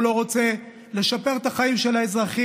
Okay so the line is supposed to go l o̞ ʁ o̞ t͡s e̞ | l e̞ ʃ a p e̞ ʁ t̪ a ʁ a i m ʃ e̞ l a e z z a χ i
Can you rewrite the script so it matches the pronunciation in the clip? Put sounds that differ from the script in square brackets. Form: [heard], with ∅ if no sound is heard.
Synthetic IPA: l o̞ ʁ o̞ t͡s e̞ | l e̞ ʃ a p e̞ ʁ t̪ a [χ] a i m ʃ e̞ l a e z [ʁ] a χ i